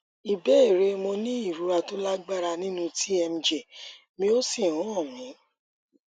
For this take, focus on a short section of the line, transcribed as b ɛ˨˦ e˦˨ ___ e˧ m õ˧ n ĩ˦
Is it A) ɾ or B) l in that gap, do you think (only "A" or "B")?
A